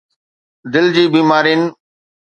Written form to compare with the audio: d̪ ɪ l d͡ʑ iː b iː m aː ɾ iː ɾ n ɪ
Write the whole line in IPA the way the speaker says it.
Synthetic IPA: d̪ ɪ l d͡ʑ iː b iː m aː ɾ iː n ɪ